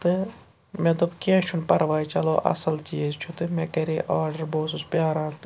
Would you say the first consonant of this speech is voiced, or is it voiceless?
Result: voiceless